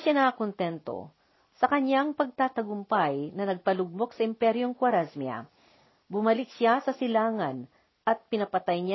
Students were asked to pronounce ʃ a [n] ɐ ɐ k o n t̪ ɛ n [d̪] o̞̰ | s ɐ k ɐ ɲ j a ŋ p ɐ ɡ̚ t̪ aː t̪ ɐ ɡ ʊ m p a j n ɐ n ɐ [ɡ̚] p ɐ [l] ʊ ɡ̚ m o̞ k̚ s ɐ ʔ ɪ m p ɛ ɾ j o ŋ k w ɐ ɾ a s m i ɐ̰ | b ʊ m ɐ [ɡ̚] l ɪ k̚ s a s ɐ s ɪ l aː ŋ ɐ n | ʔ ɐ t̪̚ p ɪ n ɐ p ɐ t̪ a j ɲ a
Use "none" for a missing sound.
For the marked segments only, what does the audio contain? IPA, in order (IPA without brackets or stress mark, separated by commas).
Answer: n, t̪, ɡ̚, l, none